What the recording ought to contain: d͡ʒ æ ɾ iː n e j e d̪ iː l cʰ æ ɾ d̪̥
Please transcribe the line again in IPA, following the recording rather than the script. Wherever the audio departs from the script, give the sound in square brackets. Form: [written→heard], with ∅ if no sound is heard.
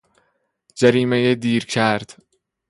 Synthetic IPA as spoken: d͡ʒ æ ɾ iː [n→m] e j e d̪ iː [l→ɾ] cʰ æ ɾ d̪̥